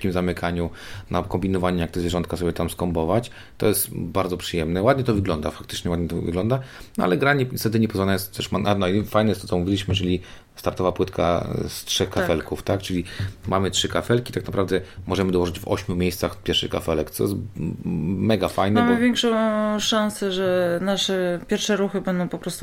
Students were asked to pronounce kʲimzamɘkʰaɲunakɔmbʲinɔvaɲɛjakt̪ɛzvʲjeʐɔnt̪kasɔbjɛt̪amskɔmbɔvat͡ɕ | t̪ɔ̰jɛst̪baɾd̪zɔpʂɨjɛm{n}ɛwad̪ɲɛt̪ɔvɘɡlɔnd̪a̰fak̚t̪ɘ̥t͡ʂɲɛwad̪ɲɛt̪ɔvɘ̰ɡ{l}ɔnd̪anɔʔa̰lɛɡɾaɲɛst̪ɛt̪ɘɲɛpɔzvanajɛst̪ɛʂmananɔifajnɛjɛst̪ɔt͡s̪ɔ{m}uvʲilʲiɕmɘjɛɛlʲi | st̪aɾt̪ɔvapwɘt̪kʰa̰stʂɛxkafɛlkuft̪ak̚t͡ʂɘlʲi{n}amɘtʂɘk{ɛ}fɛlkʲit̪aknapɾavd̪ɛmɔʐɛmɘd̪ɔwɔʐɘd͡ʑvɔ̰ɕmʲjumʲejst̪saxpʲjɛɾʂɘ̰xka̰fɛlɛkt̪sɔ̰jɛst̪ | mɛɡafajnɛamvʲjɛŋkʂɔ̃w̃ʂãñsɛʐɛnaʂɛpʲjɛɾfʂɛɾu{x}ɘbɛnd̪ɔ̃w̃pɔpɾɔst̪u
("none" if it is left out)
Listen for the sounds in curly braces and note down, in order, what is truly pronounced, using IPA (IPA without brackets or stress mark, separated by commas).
n, l, m, m, a, x